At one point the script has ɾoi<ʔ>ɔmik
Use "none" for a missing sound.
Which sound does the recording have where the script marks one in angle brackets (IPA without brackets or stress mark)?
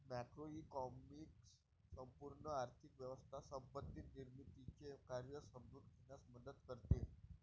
k